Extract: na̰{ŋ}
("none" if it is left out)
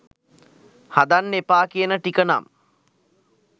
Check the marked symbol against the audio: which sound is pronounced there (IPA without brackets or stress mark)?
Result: m